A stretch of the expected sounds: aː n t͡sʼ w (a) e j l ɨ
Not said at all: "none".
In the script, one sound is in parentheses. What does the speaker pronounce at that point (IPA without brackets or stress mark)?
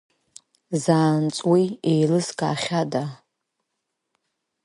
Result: i